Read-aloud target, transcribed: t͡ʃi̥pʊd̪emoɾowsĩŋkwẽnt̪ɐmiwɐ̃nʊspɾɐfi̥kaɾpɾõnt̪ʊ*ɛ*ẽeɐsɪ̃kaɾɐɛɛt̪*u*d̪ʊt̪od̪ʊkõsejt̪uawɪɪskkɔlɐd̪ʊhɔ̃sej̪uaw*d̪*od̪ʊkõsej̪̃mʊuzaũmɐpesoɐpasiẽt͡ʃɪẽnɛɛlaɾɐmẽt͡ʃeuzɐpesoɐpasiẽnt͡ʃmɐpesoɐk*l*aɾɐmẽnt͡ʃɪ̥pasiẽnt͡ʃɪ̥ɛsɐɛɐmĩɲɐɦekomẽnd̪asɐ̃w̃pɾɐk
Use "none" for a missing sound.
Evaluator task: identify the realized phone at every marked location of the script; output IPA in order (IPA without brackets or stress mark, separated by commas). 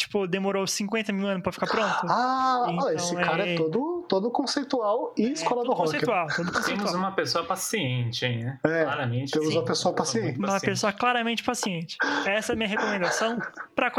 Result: a, o, t̪, l